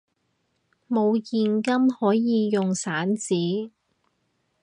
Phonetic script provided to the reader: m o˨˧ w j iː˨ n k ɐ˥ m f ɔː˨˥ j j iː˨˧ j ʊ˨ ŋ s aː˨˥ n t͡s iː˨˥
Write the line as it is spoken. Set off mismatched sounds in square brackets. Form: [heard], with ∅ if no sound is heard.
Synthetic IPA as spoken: m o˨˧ w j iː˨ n k ɐ˥ m [h] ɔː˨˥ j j iː˨˧ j ʊ˨ ŋ s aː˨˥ n t͡s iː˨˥